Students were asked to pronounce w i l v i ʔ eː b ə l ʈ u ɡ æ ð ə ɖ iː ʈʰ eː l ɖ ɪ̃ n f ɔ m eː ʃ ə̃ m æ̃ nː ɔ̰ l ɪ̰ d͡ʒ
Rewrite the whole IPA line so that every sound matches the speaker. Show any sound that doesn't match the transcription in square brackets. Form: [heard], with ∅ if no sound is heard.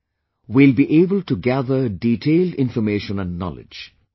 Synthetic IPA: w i l [b] i ʔ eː b ə l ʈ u ɡ æ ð ə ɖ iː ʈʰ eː l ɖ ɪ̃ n f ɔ m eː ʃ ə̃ [n] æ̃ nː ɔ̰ l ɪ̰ d͡ʒ